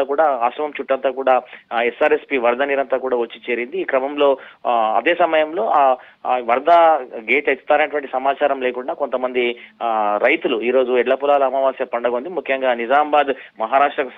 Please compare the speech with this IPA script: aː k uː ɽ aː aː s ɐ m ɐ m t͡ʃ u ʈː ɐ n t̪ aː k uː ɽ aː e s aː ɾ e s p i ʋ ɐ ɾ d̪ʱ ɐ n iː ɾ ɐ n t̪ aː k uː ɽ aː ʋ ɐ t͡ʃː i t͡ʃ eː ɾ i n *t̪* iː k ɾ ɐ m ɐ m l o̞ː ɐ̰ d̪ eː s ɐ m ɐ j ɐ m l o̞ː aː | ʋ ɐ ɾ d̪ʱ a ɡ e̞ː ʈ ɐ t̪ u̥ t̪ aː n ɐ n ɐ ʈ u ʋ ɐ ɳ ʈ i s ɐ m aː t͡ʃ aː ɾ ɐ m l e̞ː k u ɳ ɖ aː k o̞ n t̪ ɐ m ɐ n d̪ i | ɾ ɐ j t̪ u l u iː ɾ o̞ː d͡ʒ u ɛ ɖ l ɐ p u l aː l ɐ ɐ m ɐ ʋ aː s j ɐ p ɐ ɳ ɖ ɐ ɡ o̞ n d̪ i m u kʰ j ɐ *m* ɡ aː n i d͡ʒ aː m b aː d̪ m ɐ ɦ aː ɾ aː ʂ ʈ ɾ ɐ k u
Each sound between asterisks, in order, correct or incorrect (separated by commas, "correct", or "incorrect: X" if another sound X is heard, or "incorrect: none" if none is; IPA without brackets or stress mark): incorrect: d̪, incorrect: ŋ